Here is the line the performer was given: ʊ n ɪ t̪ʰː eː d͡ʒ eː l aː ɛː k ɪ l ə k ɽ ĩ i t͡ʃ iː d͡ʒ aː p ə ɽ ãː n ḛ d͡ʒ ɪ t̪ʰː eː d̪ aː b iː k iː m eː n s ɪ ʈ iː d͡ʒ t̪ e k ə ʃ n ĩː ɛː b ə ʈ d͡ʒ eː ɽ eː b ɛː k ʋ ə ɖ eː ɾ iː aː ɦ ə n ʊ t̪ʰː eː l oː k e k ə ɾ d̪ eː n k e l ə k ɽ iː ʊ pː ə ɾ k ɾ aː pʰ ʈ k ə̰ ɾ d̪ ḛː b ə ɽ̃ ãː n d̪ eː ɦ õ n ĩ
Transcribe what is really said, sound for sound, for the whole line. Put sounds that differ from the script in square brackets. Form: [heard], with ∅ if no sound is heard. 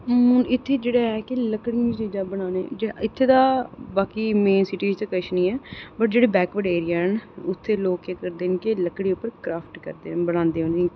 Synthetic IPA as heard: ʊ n ɪ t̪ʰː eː d͡ʒ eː [ɽ] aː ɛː k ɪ l ə k ɽ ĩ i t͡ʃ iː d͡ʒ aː [b] ə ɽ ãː n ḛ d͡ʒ ɪ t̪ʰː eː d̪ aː b [aː] k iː m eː n s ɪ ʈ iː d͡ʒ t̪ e k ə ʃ n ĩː ɛː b ə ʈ d͡ʒ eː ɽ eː b ɛː k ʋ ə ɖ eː ɾ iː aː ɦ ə n ʊ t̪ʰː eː l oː k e k ə ɾ d̪ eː n k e l ə k ɽ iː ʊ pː ə ɾ k ɾ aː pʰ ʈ k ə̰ ɾ d̪ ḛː b ə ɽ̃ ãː n d̪ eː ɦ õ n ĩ